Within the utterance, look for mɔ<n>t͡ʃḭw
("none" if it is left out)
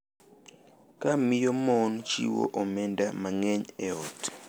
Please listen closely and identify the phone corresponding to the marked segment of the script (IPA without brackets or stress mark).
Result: n